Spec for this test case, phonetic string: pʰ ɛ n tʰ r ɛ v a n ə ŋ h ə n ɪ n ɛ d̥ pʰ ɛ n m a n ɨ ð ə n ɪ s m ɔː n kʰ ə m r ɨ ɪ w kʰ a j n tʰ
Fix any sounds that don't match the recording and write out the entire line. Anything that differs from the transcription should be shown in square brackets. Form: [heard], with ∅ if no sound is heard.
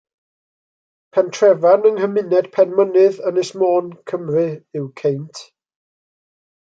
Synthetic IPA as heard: pʰ ɛ n tʰ r ɛ v a n ə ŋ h ə [m] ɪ n ɛ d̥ pʰ ɛ n m [ə] n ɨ ð ə n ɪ s m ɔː n kʰ ə m r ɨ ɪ w kʰ [e] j n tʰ